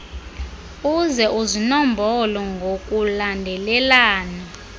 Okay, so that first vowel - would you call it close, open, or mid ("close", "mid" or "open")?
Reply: close